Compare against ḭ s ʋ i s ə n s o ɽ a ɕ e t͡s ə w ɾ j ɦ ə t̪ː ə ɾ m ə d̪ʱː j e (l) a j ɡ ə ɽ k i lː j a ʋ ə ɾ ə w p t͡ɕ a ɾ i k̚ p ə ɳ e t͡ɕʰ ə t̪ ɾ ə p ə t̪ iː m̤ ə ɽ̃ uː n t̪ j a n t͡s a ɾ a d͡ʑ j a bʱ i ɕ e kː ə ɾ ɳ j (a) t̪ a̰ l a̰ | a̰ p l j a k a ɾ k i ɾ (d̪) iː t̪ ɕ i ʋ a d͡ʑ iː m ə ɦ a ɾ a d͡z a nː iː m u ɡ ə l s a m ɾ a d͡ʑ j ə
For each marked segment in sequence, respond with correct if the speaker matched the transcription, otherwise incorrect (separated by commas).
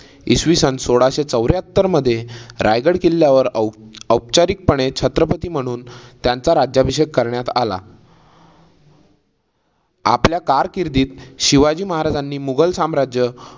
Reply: incorrect, correct, correct